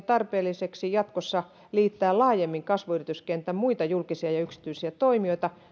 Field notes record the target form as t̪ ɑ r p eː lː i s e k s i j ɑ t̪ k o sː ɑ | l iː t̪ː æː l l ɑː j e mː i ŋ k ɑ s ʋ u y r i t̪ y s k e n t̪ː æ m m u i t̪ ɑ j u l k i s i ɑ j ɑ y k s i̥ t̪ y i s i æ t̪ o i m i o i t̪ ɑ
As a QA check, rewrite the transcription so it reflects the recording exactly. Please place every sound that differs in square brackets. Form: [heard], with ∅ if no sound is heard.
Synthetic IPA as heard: t̪ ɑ r p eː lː i s e k s i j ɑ t̪ k o sː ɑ | l iː t̪ː æː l l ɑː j e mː i ŋ k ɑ s ʋ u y r i t̪ y s k e n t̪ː æ m m u i t̪ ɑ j u l k i s i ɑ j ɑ y k s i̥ t̪ y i s i æ t̪ o i m i o i t̪ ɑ